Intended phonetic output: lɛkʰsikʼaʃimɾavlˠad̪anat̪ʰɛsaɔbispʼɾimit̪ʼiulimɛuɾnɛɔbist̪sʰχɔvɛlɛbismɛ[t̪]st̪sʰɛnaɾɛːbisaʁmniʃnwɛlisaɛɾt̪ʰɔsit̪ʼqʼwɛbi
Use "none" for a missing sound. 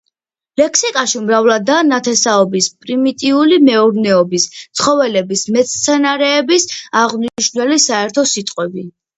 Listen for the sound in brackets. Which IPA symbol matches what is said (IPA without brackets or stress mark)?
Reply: t̪